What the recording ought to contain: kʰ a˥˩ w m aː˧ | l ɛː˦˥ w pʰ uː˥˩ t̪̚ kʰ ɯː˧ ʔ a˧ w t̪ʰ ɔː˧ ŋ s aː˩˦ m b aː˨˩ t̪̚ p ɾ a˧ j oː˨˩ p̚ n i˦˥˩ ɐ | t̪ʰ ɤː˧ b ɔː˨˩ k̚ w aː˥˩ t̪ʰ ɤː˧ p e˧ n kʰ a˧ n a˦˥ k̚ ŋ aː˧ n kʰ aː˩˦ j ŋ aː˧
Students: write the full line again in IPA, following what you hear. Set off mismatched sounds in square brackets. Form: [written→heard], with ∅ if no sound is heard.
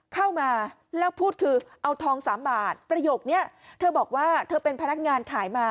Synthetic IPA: kʰ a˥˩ w m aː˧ | l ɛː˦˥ w pʰ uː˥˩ t̪̚ kʰ ɯː˧ ʔ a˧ w t̪ʰ ɔː˧ ŋ s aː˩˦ m b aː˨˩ t̪̚ p ɾ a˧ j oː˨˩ [p̚→k̚] n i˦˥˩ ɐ | t̪ʰ ɤː˧ b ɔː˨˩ k̚ w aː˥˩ t̪ʰ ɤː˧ p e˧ n [kʰ→pʰ] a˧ n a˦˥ k̚ ŋ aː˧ n kʰ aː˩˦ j [ŋ→m] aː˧

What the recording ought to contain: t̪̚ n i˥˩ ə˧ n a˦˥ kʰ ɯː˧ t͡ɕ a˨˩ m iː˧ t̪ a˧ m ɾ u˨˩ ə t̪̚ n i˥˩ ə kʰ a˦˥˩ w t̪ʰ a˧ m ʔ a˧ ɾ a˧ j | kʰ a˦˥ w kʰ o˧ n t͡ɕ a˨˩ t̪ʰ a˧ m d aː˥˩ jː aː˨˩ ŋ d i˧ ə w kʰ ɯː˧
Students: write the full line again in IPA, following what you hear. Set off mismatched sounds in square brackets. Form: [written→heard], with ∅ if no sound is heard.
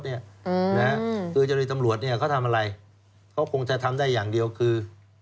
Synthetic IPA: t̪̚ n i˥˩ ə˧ n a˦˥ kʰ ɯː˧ t͡ɕ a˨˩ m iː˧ t̪ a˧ m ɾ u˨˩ ə t̪̚ n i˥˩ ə kʰ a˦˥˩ w t̪ʰ a˧ m ʔ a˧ ɾ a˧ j | kʰ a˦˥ w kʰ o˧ [n→ŋ] t͡ɕ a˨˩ t̪ʰ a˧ m d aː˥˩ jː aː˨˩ ŋ d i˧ ə w kʰ ɯː˧

